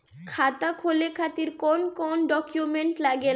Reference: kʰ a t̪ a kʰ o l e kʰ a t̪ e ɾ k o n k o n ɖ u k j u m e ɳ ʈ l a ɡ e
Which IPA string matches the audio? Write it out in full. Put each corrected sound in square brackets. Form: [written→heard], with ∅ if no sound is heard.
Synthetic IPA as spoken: kʰ a t̪ a kʰ o l e kʰ a t̪ [e→i] ɾ k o n k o n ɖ [u→ɔ] k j u m e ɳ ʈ l a ɡ e